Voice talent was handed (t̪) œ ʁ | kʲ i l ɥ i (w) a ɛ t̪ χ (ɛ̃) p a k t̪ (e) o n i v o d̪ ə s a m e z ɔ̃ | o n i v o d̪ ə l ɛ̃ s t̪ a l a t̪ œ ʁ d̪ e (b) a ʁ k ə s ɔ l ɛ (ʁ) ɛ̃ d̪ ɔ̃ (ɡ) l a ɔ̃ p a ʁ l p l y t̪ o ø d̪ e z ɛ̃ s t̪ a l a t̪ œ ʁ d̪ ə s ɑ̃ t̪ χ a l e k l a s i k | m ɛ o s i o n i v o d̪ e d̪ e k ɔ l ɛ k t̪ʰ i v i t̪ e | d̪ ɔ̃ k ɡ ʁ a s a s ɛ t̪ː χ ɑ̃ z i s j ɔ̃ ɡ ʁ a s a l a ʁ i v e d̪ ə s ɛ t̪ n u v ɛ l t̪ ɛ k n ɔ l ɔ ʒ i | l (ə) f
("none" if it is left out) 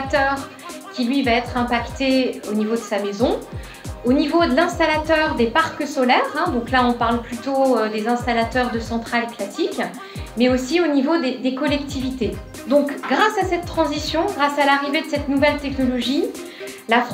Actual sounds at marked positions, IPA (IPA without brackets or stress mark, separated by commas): t̪, v, ɛ̃, e, p, ʁ, k, a